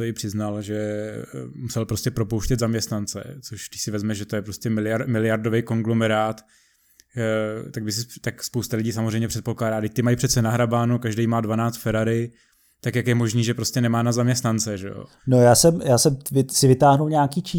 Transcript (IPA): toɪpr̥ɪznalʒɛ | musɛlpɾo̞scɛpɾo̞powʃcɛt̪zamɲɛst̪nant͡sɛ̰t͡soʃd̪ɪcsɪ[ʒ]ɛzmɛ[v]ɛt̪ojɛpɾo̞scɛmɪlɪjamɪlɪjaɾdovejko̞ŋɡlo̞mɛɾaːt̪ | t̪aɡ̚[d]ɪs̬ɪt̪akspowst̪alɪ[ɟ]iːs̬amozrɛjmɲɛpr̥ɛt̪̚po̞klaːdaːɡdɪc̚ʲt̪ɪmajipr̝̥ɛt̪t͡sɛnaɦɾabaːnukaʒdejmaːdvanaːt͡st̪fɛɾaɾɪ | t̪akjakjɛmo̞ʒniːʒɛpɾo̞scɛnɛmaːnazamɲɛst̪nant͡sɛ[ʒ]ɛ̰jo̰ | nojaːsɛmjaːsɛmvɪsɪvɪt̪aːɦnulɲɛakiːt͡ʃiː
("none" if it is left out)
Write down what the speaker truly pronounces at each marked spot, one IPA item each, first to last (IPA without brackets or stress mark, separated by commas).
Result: v, ʒ, b, ɟ, ʒ